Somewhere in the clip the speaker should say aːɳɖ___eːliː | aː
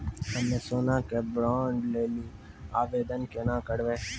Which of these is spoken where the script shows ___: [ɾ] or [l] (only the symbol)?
l